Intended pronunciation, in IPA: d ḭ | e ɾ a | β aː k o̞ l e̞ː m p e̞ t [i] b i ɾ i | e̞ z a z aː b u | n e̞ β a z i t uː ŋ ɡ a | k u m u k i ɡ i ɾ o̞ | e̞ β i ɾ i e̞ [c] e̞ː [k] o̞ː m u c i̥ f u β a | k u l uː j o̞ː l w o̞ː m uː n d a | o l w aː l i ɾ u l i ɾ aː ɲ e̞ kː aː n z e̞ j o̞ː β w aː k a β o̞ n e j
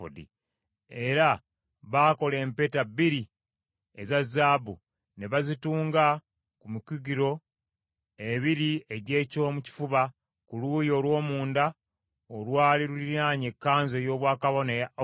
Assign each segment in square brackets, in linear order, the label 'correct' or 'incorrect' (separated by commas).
incorrect, incorrect, incorrect